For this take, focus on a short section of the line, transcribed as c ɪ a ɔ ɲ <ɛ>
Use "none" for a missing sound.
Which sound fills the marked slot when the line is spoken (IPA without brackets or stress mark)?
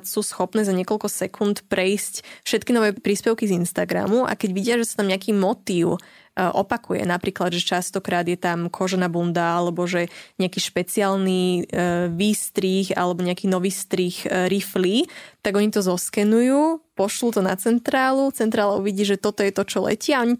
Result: i